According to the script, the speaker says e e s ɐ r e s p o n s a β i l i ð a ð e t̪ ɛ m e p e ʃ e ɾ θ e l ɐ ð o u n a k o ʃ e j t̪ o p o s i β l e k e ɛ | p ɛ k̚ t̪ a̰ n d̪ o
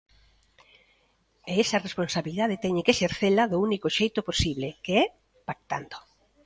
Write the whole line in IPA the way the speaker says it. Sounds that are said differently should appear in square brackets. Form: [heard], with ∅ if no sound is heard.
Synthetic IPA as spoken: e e s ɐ r e s p o n s a β i l i ð a ð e t̪ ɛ [ɲ] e [k] e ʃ e ɾ θ e l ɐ ð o u n [i] k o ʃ e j t̪ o p o s i β l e k e ɛ | p [a] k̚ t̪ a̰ n d̪ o